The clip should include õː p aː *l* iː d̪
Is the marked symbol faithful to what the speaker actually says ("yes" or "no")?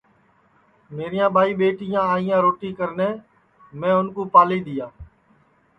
yes